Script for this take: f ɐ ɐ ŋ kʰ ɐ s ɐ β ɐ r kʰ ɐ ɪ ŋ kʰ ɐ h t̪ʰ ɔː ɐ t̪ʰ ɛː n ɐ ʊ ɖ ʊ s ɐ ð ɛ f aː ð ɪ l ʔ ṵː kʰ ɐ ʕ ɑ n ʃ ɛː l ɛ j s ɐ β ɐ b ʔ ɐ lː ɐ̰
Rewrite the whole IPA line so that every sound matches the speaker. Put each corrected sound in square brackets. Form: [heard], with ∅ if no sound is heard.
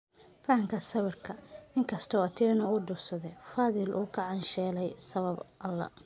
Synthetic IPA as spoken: f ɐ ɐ ŋ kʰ ɐ s ɐ β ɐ r kʰ ɐ ɪ ŋ kʰ ɐ [s] t̪ʰ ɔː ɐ t̪ʰ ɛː n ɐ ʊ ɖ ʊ s ɐ ð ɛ f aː ð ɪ l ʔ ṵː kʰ ɐ ʕ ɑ n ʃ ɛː l ɛ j s ɐ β ɐ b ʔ ɐ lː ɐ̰

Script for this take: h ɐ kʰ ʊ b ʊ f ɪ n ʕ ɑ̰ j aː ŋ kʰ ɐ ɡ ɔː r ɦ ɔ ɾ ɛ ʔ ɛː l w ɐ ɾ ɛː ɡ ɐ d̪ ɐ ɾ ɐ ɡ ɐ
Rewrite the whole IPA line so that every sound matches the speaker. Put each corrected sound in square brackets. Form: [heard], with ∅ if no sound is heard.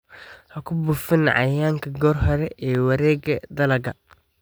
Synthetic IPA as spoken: h ɐ kʰ ʊ b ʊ f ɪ n ʕ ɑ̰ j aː ŋ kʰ ɐ ɡ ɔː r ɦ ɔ ɾ ɛ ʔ ɛː [∅] w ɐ ɾ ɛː ɡ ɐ d̪ ɐ [l] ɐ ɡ ɐ

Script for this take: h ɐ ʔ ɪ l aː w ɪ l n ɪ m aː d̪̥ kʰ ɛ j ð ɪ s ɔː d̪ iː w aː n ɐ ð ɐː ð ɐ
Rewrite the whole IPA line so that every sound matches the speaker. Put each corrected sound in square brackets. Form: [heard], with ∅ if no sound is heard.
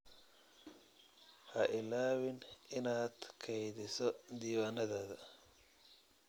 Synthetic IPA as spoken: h ɐ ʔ ɪ l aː w ɪ [∅] n ɪ [n] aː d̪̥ kʰ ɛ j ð ɪ s [ɔ] d̪ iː w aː n ɐ ð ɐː ð ɐ

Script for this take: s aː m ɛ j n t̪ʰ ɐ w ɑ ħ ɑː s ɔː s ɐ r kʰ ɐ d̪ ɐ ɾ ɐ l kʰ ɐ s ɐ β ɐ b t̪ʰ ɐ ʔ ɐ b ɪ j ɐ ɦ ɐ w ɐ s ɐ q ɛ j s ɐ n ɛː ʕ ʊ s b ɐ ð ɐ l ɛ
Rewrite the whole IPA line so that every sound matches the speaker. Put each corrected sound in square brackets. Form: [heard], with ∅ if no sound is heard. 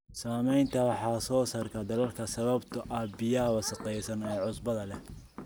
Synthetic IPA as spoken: s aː m ɛ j n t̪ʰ ɐ w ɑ ħ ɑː s ɔː s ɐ r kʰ ɐ d̪ ɐ [l] ɐ l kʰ ɐ s ɐ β ɐ b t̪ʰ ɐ ʔ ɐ b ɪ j ɐ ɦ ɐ w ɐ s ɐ q ɛ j s ɐ n ɛː ʕ ʊ s b ɐ ð ɐ l ɛ

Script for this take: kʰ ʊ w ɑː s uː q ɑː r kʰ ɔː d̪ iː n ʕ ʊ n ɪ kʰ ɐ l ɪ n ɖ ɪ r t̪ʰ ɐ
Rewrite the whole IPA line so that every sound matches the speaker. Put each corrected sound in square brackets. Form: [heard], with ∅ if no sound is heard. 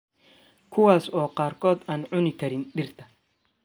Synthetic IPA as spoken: kʰ ʊ w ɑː s [ɔː] q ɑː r kʰ ɔː d̪ [aː] n ʕ ʊ n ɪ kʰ ɐ [ɾ] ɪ n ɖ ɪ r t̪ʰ ɐ

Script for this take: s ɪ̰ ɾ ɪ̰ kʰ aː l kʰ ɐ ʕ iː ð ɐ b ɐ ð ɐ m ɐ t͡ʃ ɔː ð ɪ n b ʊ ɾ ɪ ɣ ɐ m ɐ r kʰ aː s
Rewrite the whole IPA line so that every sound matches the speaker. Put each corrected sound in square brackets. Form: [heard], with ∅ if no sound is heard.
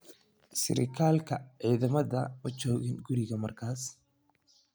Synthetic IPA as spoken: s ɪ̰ ɾ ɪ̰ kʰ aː l kʰ ɐ ʕ iː ð ɐ [m] ɐ ð ɐ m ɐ t͡ʃ ɔː [ɣ] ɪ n [ɡ] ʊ ɾ ɪ ɣ ɐ m ɐ r kʰ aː s

